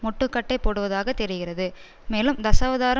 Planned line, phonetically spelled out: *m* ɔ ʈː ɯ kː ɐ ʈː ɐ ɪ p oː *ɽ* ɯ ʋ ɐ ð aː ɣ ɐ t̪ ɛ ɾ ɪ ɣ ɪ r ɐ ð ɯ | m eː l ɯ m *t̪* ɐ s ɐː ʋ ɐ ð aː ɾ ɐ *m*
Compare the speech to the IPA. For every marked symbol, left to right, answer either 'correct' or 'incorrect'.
correct, correct, incorrect: d̪, incorrect: none

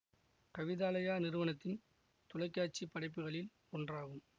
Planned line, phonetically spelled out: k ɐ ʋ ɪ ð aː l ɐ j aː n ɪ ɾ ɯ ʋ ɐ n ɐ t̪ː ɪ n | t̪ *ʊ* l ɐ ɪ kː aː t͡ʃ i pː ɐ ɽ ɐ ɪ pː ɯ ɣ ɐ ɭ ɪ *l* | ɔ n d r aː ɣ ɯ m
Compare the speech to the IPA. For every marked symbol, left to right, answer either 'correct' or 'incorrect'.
correct, correct

